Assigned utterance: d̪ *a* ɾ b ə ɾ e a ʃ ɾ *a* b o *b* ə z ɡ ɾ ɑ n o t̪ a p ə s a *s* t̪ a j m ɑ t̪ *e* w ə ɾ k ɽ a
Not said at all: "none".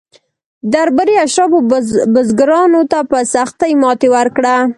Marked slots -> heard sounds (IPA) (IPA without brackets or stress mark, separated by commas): a, ɑ, b, x, e